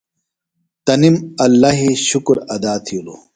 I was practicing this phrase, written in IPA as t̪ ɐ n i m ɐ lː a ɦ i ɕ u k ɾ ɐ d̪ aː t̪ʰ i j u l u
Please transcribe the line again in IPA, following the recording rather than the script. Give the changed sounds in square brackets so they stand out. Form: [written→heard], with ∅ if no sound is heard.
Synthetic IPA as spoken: t̪ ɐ n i m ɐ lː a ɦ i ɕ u k ɾ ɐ d̪ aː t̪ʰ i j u l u